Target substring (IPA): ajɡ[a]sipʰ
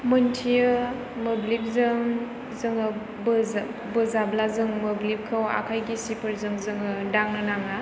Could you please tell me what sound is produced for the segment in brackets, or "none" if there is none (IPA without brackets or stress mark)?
i